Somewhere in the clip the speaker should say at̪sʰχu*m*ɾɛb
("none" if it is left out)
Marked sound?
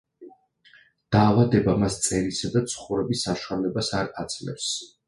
none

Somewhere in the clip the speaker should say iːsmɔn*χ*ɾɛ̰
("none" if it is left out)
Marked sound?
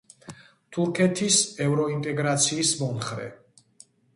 χ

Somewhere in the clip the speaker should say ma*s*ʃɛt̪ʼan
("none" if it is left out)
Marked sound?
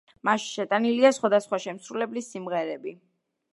ʃ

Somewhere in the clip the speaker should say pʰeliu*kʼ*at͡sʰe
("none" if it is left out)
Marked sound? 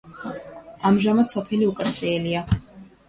kʼ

